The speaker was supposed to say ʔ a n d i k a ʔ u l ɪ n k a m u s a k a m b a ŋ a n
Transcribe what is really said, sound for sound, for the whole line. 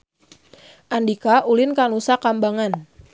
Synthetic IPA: ʔ a n d i k a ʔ u l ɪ n k a n u s a k a m b a ŋ a n

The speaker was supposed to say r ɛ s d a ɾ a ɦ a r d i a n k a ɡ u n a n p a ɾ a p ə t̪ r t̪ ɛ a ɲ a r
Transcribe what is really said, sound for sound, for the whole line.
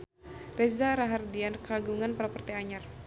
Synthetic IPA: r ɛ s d a ɾ a ɦ a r d i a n k a ɡ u ŋ a n p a ɾ a p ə r t̪ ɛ a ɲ a r

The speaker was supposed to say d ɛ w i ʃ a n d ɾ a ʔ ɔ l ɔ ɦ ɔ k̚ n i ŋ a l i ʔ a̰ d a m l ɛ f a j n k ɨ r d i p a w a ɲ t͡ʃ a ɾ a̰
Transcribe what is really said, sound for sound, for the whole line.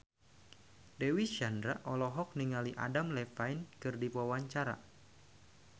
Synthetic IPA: d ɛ w i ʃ a n d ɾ a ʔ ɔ l ɔ ɦ ɔ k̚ n i ŋ a l i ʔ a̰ d a m l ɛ f a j n k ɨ r d i p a w a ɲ t͡ʃ a ɾ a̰

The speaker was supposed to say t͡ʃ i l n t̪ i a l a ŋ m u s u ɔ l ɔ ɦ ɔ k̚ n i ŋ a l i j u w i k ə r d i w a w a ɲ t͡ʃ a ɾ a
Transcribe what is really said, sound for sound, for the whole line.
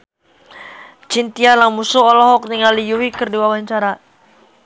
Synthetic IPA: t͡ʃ i n t̪ i a l a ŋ m u s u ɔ l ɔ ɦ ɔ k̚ n i ŋ a l i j u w i k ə r d i w a w a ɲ t͡ʃ a ɾ a

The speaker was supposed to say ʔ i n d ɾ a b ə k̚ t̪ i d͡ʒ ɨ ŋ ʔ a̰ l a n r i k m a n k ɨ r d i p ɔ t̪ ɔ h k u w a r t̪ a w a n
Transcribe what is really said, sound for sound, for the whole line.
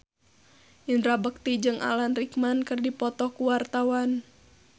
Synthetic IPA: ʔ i n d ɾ a b ə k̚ t̪ i d͡ʒ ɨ ŋ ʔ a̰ l a n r i k m a n k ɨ r d i p ɔ t̪ ɔ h k u w a r t̪ a w a n

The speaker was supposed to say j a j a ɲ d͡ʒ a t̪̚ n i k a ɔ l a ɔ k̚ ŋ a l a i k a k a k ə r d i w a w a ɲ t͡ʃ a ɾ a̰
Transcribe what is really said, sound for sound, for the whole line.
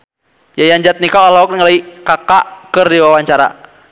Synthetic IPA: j a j a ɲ d͡ʒ a t̪̚ n i k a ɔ l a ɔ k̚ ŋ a l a i k a k a k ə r d i w a w a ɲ t͡ʃ a ɾ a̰

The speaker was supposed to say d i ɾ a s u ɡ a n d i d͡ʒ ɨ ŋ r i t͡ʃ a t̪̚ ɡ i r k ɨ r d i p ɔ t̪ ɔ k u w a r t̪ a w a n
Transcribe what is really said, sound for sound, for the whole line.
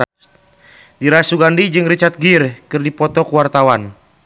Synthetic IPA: d i ɾ a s u ɡ a n d i d͡ʒ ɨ ŋ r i t͡ʃ a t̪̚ ɡ i r k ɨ r d i p ɔ t̪ ɔ k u w a r t̪ a w a n

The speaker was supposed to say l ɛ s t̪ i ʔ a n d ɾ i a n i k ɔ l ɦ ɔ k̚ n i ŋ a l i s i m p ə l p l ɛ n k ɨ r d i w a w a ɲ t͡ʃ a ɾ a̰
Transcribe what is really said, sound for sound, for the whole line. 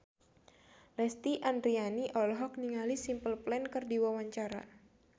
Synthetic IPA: l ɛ s t̪ i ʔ a n d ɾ i a n i ʔ ɔ l ɦ ɔ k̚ n i ŋ a l i s i m p ə l p l ɛ n k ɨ r d i w a w a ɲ t͡ʃ a ɾ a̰

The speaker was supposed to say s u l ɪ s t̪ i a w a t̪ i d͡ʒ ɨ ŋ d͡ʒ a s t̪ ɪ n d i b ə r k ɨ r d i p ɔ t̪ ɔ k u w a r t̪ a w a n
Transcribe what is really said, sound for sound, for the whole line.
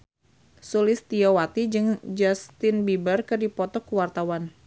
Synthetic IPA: s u l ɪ s t̪ i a w a t̪ i d͡ʒ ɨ ŋ d͡ʒ a s t̪ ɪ n b i b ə r k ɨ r d i p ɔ t̪ ɔ k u w a r t̪ a w a n

